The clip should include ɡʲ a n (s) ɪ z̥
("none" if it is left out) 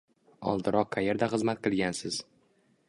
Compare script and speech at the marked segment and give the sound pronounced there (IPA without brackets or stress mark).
s